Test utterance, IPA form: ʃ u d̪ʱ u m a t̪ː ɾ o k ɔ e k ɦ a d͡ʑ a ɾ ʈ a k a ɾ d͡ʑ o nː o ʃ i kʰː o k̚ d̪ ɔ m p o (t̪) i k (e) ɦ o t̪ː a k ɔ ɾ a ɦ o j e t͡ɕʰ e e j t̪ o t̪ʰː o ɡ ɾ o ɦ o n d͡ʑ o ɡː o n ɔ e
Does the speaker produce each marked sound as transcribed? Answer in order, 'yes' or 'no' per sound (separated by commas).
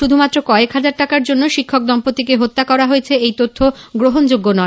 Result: yes, yes